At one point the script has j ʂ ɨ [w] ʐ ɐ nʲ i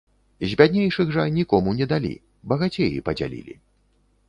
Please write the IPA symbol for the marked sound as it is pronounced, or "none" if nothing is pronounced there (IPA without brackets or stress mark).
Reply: ɣ